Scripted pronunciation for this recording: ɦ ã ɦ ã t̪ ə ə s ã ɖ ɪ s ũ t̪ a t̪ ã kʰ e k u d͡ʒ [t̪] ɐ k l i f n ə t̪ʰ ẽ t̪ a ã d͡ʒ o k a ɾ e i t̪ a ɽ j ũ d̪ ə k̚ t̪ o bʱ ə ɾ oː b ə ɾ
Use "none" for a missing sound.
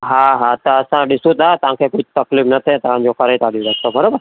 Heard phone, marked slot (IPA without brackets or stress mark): t̪